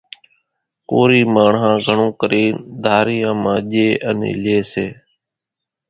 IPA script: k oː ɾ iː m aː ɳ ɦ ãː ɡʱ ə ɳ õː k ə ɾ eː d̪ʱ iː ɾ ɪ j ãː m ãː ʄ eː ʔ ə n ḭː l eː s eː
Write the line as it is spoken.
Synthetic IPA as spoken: k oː ɾ iː m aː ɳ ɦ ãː ɡʱ ə ɳ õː k ə ɾ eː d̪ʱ aː ɾ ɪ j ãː m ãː ʄ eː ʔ ə n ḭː l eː s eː

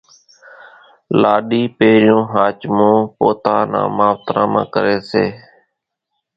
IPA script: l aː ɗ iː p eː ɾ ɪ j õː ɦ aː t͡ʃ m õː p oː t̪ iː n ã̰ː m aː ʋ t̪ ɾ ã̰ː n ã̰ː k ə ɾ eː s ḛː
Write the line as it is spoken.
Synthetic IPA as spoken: l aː ɗ iː p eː ɾ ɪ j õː ɦ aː t͡ʃ m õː p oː t̪ aː n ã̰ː m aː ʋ t̪ ɾ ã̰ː m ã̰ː k ə ɾ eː s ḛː

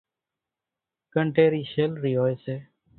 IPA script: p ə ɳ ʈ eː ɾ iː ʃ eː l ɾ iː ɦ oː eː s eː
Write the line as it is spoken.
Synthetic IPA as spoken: k ə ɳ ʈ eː ɾ iː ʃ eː l ɾ iː ɦ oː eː s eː

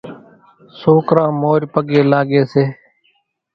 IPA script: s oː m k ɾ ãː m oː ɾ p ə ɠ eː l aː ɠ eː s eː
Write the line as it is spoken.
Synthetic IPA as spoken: s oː k ɾ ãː m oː ɾ p ə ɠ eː l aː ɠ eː s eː

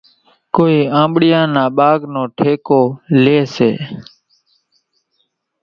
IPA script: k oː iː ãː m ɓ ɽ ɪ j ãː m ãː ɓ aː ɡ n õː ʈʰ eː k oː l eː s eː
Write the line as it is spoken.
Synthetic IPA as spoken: k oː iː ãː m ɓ ɽ ɪ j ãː n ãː ɓ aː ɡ n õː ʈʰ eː k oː l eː s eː

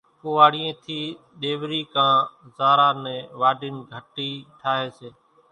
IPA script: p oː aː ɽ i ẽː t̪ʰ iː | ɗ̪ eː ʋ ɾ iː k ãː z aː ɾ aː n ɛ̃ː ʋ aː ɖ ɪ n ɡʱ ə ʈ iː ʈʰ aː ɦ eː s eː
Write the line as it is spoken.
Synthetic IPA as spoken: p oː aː ɽ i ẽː t̪ʰ iː | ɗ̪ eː ʋ ɾ iː k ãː z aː ɾ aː n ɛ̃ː ʋ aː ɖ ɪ n ɡʱ ə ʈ iː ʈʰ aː ɦ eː s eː

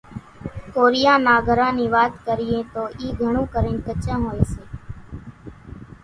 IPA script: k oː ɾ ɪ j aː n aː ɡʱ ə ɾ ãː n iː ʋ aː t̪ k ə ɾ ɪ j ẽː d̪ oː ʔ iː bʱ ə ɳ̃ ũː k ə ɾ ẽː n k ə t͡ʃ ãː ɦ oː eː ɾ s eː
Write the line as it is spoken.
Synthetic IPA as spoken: k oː ɾ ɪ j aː n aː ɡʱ ə ɾ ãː n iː ʋ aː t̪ k ə ɾ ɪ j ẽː t̪ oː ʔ iː ɡʱ ə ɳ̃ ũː k ə ɾ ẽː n k ə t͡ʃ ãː ɦ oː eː s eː

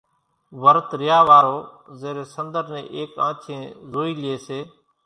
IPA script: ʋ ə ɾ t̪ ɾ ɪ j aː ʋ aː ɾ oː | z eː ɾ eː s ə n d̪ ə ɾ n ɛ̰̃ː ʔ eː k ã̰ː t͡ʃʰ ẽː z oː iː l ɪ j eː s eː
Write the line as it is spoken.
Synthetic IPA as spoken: ʋ ə ɾ t̪ ɾ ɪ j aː ʋ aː ɾ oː | z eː ɾ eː s ə n d̪ ə ɾ n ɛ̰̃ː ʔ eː k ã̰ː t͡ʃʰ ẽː z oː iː l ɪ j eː s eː

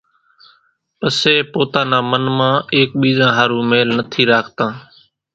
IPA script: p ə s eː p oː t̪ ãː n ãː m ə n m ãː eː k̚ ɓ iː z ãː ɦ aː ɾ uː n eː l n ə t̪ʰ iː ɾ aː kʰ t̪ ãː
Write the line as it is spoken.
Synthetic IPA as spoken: p ə s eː p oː t̪ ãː n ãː m ə n m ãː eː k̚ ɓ iː z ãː ɦ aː ɾ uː m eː l n ə t̪ʰ iː ɾ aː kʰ t̪ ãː

